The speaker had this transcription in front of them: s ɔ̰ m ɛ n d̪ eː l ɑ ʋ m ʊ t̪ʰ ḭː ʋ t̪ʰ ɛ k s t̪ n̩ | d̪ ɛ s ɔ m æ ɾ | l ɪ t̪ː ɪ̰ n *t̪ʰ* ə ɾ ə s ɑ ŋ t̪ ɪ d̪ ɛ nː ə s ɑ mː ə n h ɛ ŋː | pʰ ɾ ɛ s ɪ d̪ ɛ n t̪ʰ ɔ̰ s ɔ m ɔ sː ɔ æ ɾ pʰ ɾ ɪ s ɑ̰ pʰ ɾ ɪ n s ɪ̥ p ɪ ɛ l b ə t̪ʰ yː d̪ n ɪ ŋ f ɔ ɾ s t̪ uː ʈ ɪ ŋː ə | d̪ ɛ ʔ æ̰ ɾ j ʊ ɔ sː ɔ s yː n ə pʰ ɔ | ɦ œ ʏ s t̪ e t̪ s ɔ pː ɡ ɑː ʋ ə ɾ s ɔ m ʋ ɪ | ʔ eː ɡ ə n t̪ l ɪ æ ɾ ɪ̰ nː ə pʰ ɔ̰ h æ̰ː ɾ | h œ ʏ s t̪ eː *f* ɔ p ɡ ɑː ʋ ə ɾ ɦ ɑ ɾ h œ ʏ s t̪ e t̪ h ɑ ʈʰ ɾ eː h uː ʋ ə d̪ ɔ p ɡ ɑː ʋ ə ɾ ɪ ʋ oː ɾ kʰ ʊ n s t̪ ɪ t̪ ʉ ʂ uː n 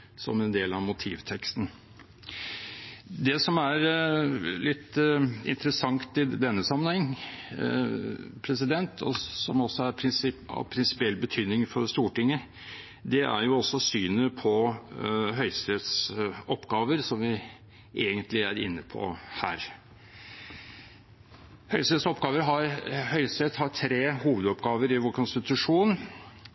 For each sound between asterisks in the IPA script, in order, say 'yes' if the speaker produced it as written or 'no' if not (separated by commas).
no, no